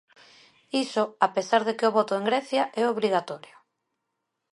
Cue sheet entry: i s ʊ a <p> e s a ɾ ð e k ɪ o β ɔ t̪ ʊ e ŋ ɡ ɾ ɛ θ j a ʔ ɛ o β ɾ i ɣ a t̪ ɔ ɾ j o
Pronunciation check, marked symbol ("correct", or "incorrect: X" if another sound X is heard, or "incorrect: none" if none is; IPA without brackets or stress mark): correct